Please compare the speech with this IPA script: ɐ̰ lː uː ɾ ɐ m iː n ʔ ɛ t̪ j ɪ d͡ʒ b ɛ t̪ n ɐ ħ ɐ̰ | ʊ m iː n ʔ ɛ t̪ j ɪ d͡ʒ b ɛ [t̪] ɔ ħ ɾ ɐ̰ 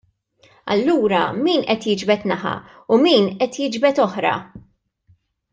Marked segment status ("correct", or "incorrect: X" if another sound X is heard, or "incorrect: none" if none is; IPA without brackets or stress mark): correct